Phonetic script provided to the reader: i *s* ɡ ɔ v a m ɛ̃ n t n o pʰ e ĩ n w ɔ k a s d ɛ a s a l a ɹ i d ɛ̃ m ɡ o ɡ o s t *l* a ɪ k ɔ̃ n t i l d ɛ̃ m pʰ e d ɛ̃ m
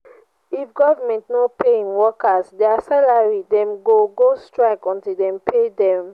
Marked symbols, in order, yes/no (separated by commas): no, no